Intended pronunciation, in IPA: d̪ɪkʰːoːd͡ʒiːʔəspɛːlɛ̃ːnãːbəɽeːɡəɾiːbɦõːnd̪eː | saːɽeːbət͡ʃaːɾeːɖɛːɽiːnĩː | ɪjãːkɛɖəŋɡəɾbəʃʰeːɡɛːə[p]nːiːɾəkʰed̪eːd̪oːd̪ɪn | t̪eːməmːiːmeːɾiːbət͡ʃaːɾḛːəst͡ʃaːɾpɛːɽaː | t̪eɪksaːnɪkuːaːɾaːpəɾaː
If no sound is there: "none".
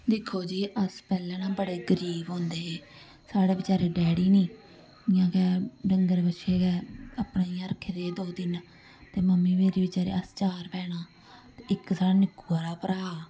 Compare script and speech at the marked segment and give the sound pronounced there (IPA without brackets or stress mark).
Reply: p